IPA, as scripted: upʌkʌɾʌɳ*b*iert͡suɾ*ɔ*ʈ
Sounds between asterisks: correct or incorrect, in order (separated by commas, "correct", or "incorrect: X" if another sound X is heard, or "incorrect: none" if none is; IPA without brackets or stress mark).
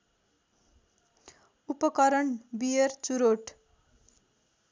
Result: correct, incorrect: o